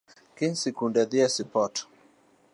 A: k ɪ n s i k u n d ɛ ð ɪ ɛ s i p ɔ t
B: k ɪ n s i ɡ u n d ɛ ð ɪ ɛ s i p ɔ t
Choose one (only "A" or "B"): A